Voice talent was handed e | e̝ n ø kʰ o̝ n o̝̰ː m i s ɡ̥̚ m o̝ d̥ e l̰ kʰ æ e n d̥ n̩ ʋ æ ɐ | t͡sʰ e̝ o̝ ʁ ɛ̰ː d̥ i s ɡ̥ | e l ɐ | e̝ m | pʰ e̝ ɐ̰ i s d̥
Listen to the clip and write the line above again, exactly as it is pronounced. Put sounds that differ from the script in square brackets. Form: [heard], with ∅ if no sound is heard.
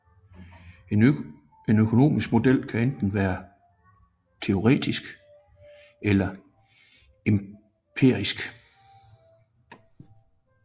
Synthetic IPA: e | e̝ n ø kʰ o̝ n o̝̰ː m i s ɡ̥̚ m o̝ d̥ e l̰ kʰ æ e n d̥ n̩ ʋ [æː] ɐ | t͡sʰ e̝ o̝ ʁ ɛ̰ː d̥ i s ɡ̥ | e l ɐ | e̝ m | pʰ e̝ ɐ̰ i s [ɡ̥]